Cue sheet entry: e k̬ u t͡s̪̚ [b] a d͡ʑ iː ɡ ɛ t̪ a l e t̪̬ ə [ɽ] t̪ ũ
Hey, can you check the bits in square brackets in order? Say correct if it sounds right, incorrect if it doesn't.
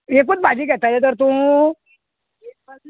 correct, incorrect: ɾ

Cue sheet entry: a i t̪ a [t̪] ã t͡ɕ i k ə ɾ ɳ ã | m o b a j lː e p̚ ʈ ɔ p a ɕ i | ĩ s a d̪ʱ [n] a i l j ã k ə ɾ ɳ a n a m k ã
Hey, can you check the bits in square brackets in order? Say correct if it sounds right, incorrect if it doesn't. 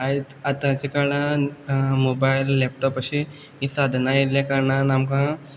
correct, correct

